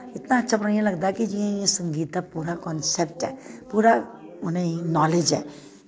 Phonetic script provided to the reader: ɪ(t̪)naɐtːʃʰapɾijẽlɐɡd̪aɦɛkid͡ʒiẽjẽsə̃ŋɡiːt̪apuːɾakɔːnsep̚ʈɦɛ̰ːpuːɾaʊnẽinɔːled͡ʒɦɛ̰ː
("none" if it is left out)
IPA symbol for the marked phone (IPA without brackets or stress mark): t̪